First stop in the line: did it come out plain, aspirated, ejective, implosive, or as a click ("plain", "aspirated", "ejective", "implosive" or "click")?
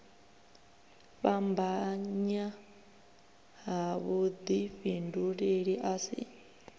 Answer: plain